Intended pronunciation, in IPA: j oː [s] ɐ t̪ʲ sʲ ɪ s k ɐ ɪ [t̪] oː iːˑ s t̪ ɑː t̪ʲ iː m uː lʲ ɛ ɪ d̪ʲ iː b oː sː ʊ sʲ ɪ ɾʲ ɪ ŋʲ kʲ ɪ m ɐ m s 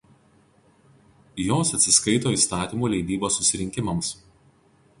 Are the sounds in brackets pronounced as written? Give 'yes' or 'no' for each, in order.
yes, yes

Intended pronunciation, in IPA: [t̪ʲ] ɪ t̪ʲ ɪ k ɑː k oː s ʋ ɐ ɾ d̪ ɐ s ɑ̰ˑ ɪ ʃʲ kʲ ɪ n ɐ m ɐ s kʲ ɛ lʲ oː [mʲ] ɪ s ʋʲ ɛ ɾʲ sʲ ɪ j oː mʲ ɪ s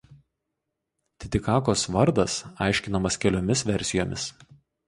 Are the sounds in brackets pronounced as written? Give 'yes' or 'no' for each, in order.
yes, yes

